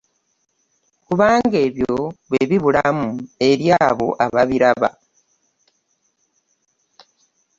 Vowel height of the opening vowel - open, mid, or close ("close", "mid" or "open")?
close